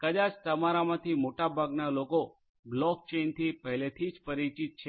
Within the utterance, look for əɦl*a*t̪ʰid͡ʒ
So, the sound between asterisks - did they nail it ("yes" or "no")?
no